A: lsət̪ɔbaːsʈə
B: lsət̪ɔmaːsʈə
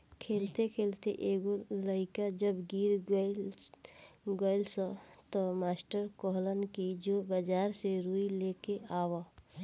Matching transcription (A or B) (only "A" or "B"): B